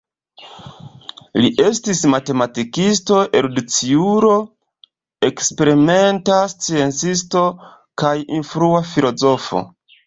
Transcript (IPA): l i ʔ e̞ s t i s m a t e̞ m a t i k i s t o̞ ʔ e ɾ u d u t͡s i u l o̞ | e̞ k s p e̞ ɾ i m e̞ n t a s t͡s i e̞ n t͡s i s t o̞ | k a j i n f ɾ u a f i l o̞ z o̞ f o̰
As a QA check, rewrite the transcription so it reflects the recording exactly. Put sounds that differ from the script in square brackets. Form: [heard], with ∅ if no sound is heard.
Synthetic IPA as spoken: l i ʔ e̞ s t i s m a t e̞ m a t i k i s t o̞ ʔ e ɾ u d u t͡s i u [ɾ] o̞ | e̞ k s p e̞ ɾ i m e̞ n t a s t͡s i e̞ n t͡s i s t o̞ | k a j i n f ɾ u a f i l o̞ z o̞ f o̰